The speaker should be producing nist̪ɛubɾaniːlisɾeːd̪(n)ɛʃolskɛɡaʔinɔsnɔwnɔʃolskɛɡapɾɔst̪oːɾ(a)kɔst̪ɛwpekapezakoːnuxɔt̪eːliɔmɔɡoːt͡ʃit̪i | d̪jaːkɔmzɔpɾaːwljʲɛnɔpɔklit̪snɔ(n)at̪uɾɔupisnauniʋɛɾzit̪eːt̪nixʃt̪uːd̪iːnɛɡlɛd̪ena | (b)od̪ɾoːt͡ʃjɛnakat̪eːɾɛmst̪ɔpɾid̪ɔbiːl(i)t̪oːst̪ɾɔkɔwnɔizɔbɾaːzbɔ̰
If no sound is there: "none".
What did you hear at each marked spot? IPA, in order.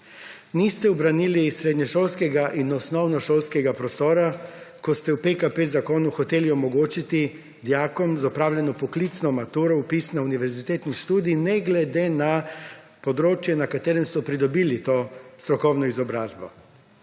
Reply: ɲ, a, m, p, i

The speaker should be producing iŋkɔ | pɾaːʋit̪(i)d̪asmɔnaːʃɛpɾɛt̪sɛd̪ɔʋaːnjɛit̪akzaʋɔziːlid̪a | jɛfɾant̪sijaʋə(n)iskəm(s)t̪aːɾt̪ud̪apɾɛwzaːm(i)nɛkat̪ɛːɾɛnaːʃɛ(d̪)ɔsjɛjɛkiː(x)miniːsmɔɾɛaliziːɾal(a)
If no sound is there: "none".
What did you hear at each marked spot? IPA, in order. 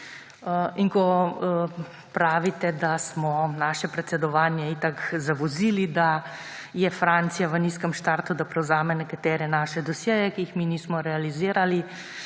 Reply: ɛ, n, ʃ, ɛ, d̪, x, i

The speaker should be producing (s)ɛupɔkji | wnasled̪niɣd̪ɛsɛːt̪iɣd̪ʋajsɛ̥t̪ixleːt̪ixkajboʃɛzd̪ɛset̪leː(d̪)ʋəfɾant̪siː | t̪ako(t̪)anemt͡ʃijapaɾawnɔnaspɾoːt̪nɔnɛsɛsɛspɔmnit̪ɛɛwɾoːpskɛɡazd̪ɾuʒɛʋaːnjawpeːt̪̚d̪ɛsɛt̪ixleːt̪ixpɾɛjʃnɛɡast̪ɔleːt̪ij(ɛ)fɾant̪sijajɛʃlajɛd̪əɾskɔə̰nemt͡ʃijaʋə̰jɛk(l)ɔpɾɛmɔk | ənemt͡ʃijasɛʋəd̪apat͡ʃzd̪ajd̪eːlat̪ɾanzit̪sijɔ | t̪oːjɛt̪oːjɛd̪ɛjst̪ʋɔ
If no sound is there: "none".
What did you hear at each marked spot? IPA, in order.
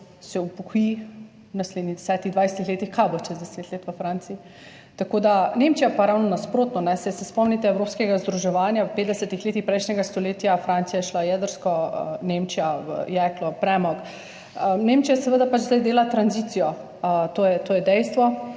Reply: s, t̪, d̪, a, l

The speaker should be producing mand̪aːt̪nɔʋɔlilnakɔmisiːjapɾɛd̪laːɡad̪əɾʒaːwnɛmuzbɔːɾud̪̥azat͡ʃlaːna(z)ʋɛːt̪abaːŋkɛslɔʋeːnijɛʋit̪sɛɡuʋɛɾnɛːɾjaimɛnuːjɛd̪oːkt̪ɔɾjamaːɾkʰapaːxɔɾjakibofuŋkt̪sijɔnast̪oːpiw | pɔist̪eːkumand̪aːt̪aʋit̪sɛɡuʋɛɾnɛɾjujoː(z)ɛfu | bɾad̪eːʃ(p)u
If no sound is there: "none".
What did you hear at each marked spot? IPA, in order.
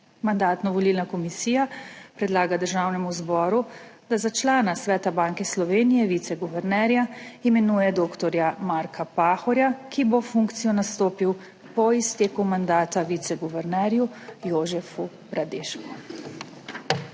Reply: s, ʒ, k

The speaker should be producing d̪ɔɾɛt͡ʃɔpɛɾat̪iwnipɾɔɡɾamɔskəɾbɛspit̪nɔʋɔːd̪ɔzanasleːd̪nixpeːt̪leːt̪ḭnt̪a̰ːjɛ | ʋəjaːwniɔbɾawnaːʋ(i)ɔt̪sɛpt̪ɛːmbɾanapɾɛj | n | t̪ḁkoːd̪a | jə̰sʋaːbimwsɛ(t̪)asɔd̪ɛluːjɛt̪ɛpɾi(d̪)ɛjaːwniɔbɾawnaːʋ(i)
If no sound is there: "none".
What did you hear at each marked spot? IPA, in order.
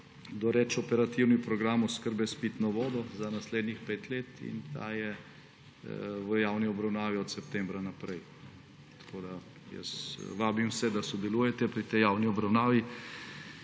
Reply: i, d̪, t̪, i

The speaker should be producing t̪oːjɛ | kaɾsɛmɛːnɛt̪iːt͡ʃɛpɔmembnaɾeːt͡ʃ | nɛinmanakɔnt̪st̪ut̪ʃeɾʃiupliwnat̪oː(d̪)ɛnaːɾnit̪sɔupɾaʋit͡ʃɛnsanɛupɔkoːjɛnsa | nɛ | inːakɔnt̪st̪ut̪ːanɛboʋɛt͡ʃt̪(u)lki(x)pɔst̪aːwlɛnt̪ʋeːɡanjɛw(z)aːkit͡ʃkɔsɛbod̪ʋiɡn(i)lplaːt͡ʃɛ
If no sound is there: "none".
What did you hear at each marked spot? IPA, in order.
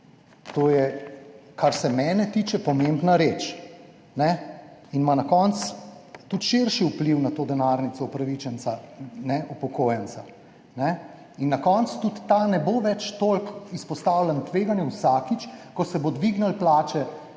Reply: d̪, o, s, s, a

